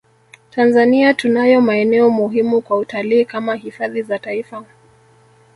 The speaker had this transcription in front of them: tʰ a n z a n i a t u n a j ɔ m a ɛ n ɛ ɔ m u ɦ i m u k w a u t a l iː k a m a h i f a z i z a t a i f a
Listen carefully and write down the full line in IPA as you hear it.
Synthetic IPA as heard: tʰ a n z a n i a t u n a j ɔ m a ɛ n ɛ ɔ m u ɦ i m u k w a u t a l iː k a m a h i f a ð i z a t a i f a